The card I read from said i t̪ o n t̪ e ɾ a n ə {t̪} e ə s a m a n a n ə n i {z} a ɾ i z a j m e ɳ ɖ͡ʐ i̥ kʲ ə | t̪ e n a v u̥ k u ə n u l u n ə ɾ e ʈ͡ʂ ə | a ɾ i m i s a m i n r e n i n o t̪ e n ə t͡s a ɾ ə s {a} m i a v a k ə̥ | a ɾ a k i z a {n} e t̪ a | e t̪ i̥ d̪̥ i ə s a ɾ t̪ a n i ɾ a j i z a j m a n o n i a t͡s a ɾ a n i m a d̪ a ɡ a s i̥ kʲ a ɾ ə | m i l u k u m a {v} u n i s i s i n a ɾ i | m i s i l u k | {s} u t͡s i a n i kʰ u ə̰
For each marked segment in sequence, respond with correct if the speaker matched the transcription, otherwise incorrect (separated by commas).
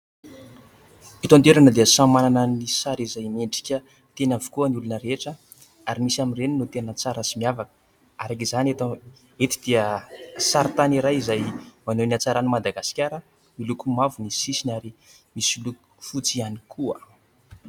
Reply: incorrect, incorrect, incorrect, correct, correct, incorrect